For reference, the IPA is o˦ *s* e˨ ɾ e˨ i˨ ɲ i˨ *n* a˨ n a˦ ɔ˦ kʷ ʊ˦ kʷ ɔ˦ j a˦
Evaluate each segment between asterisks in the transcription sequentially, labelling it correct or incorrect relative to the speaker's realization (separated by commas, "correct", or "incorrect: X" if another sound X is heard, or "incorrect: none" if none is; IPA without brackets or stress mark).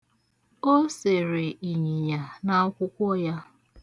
correct, incorrect: ɲ